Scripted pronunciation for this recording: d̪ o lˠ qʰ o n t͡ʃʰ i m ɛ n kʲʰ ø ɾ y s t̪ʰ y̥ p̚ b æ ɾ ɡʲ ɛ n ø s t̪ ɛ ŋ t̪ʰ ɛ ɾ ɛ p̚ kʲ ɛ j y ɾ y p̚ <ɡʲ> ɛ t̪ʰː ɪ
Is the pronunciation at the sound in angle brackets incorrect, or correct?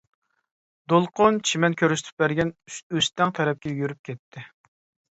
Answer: incorrect